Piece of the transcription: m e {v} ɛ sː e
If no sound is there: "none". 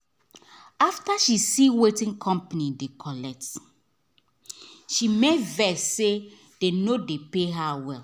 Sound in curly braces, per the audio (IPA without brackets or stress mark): v